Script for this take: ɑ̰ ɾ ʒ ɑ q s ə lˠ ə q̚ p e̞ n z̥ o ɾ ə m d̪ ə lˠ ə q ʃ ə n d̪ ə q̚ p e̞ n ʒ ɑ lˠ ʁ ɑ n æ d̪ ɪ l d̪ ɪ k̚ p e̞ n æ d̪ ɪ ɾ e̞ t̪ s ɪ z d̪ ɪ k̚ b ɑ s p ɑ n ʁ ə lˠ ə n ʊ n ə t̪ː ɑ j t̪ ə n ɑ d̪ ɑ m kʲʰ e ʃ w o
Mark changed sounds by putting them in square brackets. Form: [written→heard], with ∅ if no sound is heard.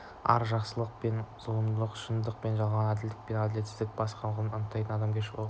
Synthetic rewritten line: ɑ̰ ɾ ʒ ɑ q s ə lˠ ə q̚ p e̞ n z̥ o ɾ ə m d̪ ə lˠ ə q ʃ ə n d̪ ə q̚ p e̞ n ʒ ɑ lˠ ʁ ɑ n æ d̪ ɪ l d̪ ɪ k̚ p e̞ n æ d̪ ɪ [ɾ→l] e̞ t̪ s ɪ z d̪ ɪ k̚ b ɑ s [p→q] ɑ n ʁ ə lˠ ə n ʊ n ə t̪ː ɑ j t̪ ə n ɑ d̪ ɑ m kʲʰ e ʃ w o